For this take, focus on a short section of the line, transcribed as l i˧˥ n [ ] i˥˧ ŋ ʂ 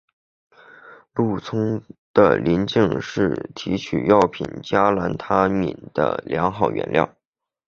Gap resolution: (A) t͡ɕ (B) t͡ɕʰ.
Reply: A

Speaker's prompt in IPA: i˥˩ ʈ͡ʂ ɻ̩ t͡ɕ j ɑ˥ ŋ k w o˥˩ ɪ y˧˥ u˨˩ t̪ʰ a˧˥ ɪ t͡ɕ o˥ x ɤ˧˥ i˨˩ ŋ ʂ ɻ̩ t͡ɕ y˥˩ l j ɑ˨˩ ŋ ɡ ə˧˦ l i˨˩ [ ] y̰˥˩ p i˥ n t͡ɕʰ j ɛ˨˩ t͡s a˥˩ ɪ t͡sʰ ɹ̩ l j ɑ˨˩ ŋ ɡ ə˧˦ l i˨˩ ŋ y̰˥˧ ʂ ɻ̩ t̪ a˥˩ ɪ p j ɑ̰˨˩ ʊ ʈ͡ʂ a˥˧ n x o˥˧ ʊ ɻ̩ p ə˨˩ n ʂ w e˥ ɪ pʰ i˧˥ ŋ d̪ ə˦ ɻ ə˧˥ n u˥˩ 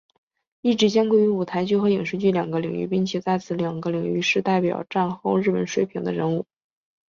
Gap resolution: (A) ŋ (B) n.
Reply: A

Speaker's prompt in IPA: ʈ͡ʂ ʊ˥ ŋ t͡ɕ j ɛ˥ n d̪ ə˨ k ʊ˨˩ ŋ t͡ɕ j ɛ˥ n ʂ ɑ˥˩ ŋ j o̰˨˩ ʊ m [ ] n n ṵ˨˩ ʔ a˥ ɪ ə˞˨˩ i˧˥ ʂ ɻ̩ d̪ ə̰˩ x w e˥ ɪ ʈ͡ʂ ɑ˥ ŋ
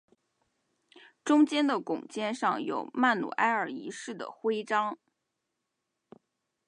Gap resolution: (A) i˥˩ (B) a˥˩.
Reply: B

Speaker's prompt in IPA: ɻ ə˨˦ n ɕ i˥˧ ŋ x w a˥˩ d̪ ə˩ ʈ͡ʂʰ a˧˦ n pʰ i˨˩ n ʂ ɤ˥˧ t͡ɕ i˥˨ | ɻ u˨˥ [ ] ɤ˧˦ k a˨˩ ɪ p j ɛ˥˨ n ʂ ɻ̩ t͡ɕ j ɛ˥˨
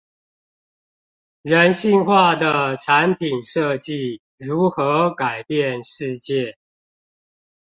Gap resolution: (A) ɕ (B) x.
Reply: B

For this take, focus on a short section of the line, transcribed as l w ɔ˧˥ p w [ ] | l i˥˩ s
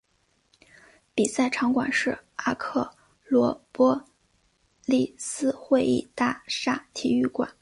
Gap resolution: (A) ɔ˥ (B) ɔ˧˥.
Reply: A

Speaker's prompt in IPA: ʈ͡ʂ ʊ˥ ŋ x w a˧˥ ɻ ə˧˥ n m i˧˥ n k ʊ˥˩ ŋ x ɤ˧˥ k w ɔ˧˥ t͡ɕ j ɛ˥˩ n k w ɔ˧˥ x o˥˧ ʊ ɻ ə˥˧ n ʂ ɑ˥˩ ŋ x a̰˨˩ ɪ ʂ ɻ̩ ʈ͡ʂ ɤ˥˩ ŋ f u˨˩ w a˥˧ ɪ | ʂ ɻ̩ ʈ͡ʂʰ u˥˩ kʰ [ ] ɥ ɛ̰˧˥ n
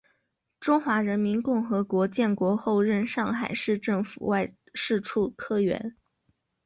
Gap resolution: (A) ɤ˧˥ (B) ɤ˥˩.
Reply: B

